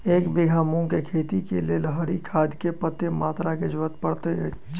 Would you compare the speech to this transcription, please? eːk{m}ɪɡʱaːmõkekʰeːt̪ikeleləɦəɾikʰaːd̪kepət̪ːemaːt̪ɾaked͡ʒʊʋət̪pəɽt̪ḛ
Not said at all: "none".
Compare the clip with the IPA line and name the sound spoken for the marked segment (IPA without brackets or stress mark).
b